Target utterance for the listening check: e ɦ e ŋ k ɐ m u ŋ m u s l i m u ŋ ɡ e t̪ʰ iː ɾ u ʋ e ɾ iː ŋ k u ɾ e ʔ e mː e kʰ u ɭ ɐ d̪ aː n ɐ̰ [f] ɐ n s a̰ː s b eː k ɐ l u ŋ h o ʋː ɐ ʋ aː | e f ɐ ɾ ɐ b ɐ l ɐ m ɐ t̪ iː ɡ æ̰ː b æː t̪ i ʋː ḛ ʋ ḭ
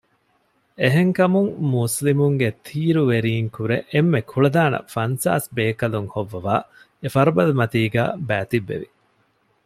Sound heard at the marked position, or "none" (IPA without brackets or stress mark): f